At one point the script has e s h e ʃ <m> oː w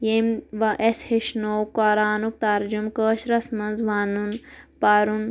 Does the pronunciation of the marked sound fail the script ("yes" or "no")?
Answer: yes